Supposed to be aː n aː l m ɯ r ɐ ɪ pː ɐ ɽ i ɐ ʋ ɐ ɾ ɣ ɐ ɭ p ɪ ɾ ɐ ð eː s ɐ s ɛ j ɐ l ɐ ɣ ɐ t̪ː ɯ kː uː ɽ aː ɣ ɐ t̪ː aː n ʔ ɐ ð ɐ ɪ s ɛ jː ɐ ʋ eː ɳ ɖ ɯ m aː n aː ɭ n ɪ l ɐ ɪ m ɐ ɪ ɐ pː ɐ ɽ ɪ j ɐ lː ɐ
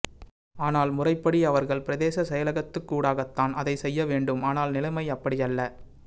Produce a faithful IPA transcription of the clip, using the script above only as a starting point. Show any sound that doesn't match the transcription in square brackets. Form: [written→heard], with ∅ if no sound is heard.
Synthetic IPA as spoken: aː n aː l m [ɯ→ʊ] r ɐ ɪ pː ɐ ɽ i ɐ ʋ ɐ ɾ ɣ ɐ ɭ p ɪ ɾ ɐ ð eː s ɐ s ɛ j ɐ l ɐ ɣ ɐ t̪ː ɯ kː uː ɽ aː ɣ ɐ t̪ː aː n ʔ ɐ ð ɐ ɪ s ɛ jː ɐ ʋ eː ɳ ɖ ɯ m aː n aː [ɭ→l] n ɪ l ɐ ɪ m ɐ ɪ ɐ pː ɐ ɽ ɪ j ɐ lː ɐ